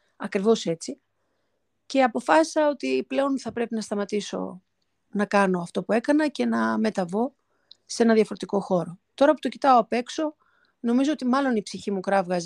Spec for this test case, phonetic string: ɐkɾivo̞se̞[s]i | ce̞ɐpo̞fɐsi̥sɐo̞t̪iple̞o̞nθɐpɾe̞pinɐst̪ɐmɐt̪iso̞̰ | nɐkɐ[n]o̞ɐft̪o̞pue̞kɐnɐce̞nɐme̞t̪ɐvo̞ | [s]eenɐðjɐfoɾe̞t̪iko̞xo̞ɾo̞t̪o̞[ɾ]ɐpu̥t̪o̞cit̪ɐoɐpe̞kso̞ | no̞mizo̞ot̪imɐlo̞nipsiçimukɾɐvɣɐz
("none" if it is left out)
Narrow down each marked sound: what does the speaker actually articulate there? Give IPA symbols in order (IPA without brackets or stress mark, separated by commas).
t͡s, n, s, ɾ